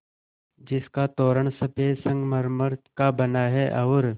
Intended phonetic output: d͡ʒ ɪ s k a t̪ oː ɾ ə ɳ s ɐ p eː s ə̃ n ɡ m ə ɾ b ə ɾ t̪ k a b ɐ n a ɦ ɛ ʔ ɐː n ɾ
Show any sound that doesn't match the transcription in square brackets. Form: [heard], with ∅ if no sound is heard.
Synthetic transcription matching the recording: d͡ʒ ɪ s k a t̪ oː ɾ ə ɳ s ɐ p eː s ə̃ [ŋ] ɡ m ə ɾ [m] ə ɾ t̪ k a b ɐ n a ɦ ɛ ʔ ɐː [∅] ɾ